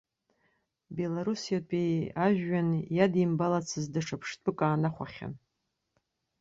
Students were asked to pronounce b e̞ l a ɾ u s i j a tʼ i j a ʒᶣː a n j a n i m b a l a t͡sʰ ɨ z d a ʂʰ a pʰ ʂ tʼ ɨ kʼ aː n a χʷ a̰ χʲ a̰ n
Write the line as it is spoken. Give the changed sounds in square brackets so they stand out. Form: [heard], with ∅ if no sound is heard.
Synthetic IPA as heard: b e̞ l a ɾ u s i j a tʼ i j a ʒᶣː a n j a [d] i m b a l a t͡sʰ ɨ z d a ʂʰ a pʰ ʂ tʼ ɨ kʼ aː n a χʷ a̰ χʲ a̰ n